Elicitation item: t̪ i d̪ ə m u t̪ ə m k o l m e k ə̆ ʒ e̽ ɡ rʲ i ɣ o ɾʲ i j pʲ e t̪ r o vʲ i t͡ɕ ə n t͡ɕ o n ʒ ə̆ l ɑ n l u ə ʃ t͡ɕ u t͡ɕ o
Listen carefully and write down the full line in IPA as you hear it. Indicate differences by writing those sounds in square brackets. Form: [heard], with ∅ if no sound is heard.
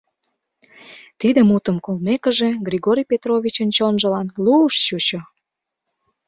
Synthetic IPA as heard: t̪ i d̪ ə m u t̪ ə m k o l m e k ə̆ ʒ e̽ ɡ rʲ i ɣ o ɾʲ i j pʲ e t̪ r o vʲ i t͡ɕ ə n t͡ɕ o n ʒ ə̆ l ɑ n l u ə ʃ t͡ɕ u t͡ɕ o